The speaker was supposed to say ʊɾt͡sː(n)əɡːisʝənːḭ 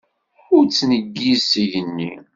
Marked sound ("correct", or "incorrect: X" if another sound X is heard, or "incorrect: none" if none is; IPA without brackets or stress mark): correct